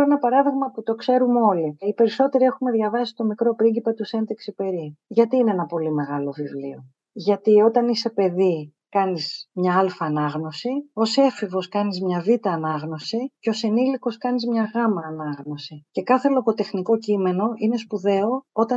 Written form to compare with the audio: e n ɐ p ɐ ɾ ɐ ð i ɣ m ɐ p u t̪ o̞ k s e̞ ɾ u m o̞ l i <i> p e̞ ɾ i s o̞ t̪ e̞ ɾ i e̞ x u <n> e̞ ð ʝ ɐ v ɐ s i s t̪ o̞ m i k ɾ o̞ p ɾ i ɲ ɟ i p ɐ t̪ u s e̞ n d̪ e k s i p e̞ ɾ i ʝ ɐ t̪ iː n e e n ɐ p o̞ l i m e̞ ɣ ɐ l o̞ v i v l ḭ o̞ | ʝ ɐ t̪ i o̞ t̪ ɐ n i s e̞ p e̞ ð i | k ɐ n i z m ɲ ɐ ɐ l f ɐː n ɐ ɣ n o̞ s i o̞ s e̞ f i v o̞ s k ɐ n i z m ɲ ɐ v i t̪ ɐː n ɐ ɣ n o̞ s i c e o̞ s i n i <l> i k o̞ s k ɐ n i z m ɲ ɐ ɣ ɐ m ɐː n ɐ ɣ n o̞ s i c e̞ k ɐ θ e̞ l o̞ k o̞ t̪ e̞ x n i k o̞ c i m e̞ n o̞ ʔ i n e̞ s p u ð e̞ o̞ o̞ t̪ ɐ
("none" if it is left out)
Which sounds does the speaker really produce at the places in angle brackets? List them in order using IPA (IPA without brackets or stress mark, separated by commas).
i, m, l